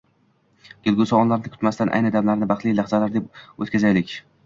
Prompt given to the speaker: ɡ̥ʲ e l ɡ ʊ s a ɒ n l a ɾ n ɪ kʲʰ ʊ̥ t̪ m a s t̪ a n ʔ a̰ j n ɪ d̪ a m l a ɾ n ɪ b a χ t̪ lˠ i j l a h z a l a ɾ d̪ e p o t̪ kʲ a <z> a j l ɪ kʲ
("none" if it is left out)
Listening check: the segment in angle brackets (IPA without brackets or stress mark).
z